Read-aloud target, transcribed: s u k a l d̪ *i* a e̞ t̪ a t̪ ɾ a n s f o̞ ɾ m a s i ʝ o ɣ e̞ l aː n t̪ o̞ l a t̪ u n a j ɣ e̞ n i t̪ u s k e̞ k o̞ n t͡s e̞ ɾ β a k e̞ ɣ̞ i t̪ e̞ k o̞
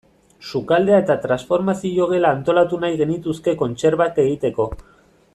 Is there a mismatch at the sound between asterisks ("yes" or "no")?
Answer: yes